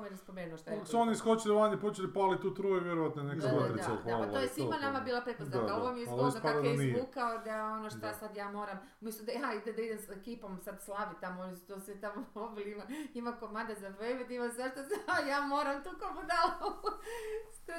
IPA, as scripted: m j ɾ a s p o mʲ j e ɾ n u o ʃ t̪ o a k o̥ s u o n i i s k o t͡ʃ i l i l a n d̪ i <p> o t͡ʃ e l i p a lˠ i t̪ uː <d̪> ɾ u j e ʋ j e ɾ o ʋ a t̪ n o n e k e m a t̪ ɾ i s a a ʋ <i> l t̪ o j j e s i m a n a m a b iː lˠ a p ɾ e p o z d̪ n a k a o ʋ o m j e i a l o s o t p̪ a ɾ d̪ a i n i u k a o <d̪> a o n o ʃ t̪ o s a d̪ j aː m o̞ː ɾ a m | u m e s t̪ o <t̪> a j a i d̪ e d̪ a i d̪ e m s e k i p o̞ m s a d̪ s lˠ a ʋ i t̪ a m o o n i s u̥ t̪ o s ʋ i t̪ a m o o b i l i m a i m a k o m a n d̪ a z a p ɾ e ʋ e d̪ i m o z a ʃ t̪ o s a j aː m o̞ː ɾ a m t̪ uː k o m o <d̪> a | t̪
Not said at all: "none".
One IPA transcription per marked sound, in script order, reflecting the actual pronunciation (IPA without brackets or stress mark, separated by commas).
p, t̪, a, d̪, d̪, d̪